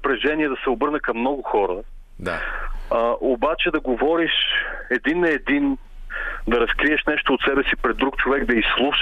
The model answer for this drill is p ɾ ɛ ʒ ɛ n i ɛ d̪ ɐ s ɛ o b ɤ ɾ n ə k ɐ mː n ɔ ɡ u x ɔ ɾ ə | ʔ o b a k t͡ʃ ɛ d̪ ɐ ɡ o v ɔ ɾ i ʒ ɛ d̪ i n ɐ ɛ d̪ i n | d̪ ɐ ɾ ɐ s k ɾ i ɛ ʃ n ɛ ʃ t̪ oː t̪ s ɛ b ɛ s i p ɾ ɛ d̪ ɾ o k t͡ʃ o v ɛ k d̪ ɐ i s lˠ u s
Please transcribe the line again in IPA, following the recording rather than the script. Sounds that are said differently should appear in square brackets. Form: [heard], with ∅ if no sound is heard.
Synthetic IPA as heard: p ɾ ɛ ʒ ɛ n i ɛ d̪ ɐ s ɛ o b ɤ ɾ n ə k ɐ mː n ɔ ɡ [ʊ] x ɔ ɾ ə | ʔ o b a [∅] t͡ʃ ɛ d̪ ɐ ɡ o v ɔ ɾ i [ʃ] ɛ d̪ i n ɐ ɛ d̪ i n | d̪ ɐ ɾ ɐ s k ɾ i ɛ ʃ n ɛ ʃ t̪ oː t̪ s ɛ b ɛ s i p ɾ ɛ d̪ ɾ [u] k t͡ʃ o v ɛ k d̪ ɐ i s lˠ u [ʃ]